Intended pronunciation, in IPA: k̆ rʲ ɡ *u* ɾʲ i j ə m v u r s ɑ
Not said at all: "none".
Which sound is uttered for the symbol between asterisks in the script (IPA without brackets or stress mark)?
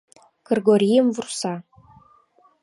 o